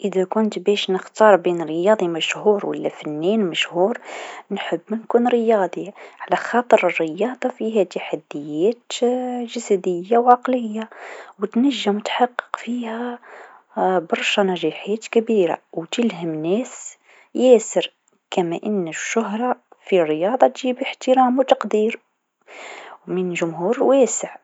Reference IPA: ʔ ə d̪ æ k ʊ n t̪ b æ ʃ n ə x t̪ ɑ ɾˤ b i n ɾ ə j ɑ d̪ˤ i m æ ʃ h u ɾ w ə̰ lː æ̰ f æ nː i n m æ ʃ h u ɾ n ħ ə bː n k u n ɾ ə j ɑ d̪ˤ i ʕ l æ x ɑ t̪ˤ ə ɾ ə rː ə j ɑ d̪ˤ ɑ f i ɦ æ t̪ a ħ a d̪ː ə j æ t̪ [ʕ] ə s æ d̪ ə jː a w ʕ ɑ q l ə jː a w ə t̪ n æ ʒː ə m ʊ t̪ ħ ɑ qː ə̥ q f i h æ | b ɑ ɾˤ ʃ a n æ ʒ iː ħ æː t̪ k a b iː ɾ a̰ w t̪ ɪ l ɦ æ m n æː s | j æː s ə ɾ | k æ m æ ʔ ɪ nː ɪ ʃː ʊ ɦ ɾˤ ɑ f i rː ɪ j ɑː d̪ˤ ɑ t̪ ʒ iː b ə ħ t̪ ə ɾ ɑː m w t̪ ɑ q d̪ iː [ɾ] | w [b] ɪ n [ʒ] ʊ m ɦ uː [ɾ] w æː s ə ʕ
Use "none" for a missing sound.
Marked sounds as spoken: ʒ, ɾ, m, ʒ, ɾ

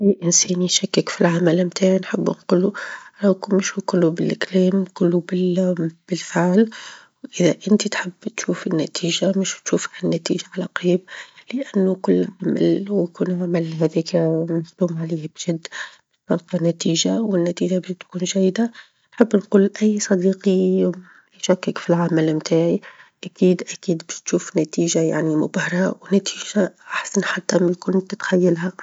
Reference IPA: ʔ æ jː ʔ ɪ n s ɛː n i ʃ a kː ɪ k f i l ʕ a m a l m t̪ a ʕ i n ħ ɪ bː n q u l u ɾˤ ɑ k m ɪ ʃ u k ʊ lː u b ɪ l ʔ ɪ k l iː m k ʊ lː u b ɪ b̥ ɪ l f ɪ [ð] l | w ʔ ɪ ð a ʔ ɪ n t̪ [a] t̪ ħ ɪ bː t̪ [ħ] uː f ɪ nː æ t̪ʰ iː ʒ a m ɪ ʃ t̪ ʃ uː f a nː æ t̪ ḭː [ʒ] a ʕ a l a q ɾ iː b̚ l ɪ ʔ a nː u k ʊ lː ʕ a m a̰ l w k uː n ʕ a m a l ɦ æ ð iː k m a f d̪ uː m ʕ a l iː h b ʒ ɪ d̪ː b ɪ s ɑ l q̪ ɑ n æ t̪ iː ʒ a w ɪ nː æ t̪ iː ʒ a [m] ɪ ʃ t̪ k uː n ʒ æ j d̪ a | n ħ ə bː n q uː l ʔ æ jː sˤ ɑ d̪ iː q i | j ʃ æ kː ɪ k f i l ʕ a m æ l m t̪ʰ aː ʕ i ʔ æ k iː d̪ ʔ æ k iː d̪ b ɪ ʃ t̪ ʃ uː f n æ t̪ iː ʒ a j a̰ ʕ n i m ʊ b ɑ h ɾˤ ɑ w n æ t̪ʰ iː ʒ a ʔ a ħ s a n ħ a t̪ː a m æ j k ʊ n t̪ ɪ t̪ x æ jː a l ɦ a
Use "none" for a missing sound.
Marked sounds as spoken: ʕ, i, ʃ, ʒ, b

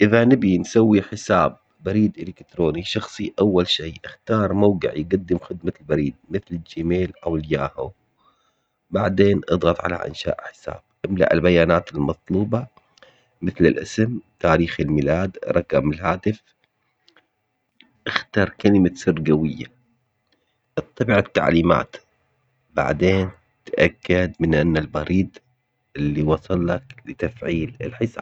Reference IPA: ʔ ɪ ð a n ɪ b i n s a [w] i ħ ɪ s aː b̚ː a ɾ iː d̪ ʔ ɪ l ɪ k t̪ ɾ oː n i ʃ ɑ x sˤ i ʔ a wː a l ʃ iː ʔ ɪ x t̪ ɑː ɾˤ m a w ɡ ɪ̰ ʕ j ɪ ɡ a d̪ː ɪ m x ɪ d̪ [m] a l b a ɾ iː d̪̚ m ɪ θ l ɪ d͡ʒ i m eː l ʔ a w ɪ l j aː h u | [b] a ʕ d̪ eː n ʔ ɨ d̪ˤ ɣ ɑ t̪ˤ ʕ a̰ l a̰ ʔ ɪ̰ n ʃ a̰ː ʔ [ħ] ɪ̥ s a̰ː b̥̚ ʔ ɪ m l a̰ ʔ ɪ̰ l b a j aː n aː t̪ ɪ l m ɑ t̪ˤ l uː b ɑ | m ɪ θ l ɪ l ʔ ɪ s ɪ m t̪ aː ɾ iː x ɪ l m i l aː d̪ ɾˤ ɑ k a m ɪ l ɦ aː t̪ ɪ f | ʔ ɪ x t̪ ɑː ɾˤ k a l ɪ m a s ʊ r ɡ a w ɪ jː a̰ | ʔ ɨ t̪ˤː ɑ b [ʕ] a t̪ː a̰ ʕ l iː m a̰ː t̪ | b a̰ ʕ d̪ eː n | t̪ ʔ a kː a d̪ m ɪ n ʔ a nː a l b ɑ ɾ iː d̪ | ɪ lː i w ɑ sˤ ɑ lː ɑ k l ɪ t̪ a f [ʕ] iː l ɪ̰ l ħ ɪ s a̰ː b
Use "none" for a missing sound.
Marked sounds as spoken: wː, m, b, ħ, ʕ, ʕ

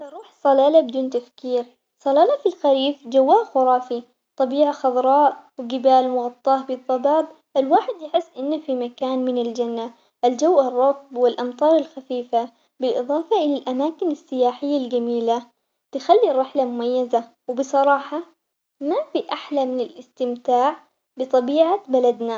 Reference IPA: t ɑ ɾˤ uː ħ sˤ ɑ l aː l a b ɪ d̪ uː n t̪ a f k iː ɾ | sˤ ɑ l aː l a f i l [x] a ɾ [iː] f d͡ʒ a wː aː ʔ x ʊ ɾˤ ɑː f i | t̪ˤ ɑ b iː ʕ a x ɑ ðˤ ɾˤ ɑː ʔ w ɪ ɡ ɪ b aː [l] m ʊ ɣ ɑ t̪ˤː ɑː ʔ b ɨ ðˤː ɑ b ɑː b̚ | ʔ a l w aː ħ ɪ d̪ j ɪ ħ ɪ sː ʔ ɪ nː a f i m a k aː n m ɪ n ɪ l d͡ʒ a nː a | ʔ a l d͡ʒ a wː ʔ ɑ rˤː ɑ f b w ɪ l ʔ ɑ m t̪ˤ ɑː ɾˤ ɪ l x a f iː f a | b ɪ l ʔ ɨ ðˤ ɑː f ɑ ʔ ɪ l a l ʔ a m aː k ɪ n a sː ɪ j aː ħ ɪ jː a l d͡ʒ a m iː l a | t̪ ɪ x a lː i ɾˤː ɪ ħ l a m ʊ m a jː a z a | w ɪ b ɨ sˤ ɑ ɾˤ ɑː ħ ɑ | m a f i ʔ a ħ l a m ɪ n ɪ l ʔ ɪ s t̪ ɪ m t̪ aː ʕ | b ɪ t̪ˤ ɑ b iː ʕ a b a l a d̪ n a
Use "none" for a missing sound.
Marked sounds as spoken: x, iː, l

